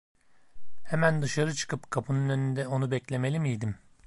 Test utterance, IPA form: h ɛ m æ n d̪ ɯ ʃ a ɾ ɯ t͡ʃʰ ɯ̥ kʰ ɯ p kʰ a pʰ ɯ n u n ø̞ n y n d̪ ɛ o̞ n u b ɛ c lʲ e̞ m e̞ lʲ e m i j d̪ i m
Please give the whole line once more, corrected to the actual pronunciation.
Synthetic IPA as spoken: h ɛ m æ n d̪ ɯ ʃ a ɾ ɯ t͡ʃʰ ɯ̥ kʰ ɯ p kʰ a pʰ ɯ n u n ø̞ n y n d̪ ɛ o̞ n u b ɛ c lʲ e̞ m e̞ lʲ i m i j d̪ i m